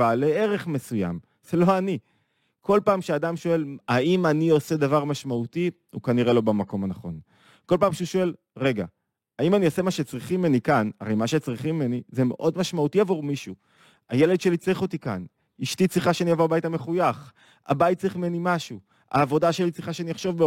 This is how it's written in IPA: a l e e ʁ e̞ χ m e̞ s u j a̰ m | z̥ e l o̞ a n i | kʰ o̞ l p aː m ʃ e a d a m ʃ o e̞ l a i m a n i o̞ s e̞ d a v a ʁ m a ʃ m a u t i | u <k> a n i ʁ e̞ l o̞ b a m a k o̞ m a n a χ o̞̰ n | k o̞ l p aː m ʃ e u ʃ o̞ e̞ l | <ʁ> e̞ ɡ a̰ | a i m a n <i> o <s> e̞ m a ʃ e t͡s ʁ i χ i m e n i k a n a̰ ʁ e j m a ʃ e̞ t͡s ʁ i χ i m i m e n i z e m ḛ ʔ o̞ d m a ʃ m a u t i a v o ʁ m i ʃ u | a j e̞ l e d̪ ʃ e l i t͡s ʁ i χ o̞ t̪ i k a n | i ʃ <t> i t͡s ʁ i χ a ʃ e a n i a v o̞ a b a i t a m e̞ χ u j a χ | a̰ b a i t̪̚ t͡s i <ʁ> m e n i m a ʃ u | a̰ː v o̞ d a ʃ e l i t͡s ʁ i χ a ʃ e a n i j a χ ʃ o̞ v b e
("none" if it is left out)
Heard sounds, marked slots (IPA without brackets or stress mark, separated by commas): k, ʁ, i, s, t, χ